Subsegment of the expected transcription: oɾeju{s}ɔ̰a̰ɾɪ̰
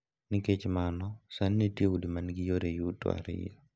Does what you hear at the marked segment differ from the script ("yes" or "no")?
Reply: yes